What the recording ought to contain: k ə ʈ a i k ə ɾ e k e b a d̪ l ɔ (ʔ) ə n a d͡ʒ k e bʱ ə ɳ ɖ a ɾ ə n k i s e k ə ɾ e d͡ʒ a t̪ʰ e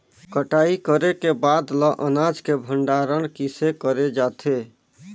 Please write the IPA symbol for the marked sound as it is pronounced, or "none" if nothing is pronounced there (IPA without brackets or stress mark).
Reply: ʔ